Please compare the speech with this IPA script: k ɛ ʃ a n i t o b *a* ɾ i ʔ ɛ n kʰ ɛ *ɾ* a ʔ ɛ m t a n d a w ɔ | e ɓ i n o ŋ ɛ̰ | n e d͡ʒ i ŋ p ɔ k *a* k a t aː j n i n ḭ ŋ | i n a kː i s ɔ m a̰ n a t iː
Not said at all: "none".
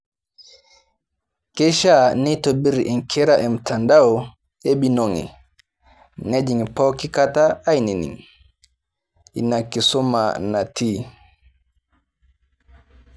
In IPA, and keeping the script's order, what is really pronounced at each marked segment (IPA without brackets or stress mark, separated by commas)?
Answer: i, ɾ, i